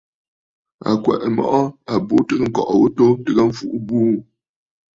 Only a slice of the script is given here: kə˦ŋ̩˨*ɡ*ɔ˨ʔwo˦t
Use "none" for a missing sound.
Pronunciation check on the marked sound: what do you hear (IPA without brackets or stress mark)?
k